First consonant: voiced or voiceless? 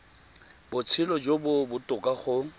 voiced